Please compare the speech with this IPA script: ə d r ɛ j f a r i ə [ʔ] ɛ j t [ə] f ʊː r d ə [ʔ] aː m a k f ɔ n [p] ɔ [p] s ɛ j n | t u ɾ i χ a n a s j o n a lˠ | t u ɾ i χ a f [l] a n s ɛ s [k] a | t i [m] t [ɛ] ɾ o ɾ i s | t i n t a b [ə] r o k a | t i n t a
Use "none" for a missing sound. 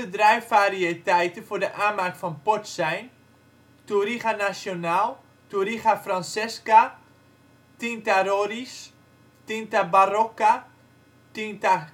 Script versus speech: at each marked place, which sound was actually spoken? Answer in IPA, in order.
t, ə, ʔ, p, t, r, k, n, a, a

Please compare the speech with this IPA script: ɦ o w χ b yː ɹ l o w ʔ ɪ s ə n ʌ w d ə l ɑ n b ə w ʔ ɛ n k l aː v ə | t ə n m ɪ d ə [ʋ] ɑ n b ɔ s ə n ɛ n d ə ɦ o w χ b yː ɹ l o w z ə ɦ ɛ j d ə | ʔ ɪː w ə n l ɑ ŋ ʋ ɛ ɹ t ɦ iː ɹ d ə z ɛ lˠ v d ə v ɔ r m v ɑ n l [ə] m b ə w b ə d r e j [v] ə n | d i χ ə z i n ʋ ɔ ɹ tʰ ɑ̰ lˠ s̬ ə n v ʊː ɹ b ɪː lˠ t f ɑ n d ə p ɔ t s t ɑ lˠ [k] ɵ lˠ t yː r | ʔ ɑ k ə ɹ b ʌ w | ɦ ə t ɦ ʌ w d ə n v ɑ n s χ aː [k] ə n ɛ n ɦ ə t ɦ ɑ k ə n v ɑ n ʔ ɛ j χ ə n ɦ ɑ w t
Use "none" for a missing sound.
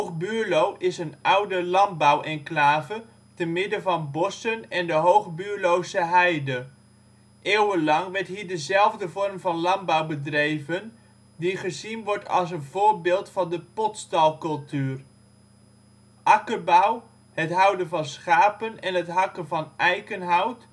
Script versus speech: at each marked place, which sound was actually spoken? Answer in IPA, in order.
v, ɑ, v, k, p

